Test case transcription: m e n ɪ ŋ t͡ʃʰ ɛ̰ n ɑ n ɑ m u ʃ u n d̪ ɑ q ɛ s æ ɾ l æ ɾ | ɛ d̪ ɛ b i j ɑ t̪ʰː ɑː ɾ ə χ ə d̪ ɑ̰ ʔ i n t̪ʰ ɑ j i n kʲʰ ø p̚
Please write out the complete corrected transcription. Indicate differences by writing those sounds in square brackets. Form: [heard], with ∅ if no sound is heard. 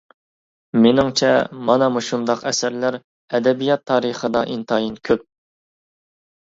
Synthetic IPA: m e n ɪ ŋ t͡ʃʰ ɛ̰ [m] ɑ n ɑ m u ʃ u n d̪ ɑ q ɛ s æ ɾ l æ ɾ | ɛ d̪ ɛ b i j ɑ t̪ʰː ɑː ɾ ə χ ə d̪ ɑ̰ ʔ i n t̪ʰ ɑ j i n kʲʰ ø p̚